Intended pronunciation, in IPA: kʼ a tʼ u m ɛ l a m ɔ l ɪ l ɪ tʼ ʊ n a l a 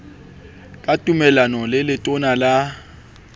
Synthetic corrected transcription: kʼ a tʼ u m ɛ l a n ɔ l ɪ l ɪ tʼ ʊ n a l a